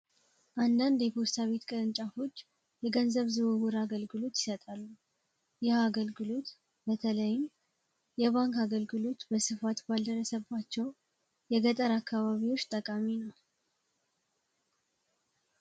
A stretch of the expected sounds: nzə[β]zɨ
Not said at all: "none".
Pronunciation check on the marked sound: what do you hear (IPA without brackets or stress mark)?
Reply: β